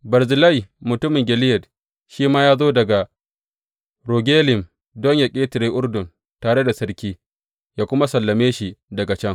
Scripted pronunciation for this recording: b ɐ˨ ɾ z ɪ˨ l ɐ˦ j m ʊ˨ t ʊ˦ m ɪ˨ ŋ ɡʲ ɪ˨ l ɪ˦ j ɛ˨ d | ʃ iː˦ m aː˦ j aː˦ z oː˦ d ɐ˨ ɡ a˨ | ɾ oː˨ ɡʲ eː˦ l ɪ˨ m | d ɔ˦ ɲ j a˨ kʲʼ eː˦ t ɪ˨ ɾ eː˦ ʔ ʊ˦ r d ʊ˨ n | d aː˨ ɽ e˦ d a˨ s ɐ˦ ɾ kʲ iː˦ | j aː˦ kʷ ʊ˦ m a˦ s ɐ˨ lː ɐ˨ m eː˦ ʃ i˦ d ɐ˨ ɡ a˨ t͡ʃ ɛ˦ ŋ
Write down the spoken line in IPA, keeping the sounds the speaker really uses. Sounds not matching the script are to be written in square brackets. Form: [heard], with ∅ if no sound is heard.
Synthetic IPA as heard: b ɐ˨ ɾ z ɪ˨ l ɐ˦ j m ʊ˨ t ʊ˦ m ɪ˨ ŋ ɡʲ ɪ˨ l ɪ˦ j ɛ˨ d | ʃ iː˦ m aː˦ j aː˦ z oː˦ d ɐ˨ ɡ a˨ | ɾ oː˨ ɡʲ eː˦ l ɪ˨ m | d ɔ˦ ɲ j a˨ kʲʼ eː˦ t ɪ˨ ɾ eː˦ ʔ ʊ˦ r d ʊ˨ n | [t] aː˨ ɽ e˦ d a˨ s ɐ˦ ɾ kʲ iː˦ | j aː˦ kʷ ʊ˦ m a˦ s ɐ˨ lː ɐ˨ m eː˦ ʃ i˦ d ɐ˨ ɡ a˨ t͡ʃ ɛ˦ ŋ